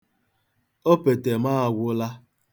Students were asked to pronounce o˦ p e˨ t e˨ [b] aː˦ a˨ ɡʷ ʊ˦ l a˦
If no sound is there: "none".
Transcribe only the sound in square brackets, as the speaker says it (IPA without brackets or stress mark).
m